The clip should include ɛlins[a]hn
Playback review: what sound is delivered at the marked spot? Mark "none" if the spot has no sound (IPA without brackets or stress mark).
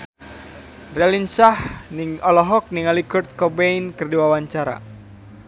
a